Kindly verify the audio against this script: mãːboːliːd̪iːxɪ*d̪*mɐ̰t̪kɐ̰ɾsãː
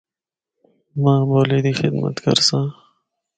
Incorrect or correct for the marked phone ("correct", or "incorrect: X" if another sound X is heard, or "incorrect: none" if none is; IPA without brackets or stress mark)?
correct